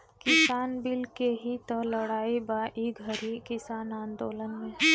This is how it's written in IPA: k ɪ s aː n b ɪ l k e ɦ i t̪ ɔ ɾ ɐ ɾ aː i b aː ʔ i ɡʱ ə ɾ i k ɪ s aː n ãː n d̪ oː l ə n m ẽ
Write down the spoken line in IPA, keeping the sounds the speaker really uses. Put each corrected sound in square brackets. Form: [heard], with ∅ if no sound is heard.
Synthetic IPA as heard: k ɪ s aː n b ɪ l k e ɦ i t̪ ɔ [l] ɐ [ɽ] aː i b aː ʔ i ɡʱ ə ɾ i k ɪ s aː n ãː n d̪ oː l ə n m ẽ